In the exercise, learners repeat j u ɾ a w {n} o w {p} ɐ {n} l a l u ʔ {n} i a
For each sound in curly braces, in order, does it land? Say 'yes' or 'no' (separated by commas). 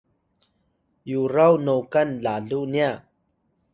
yes, no, yes, yes